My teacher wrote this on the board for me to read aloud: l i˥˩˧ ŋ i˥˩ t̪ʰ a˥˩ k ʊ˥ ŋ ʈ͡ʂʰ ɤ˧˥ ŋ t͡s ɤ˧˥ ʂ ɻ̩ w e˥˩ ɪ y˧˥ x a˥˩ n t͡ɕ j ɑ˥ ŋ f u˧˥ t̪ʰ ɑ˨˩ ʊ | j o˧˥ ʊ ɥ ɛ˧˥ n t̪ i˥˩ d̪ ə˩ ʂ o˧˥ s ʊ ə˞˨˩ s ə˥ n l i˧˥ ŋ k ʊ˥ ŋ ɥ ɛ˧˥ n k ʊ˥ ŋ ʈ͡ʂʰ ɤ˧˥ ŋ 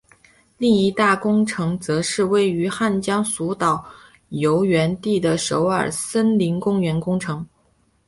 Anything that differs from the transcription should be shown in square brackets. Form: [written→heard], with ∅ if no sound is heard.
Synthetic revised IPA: l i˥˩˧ ŋ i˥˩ [t̪ʰ→t̪] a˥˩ k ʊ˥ ŋ ʈ͡ʂʰ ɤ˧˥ ŋ t͡s ɤ˧˥ ʂ ɻ̩ w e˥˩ ɪ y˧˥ x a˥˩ n t͡ɕ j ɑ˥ ŋ [f→s] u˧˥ [t̪ʰ→t̪] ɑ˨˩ ʊ | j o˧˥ ʊ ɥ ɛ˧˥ n t̪ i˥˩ d̪ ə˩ ʂ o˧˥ [s→∅] ʊ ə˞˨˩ s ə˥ n l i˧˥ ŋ k ʊ˥ ŋ ɥ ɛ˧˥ n k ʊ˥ ŋ ʈ͡ʂʰ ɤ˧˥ ŋ